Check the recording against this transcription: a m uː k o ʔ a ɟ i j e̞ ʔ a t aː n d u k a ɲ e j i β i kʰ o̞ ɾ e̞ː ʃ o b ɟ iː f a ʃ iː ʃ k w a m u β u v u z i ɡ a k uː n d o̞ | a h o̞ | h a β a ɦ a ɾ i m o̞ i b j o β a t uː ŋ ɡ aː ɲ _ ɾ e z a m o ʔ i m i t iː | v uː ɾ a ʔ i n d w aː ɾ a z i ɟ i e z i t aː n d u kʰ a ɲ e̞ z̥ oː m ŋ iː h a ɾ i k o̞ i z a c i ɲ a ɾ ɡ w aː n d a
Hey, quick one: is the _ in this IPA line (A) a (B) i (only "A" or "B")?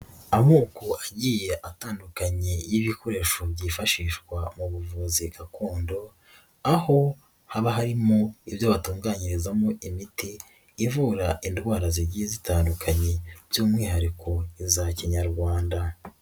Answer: B